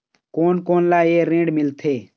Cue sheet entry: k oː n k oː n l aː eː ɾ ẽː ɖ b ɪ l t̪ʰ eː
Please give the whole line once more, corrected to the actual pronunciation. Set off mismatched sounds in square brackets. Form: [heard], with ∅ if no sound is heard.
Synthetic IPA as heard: k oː n k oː n l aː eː ɾ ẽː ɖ [m] ɪ l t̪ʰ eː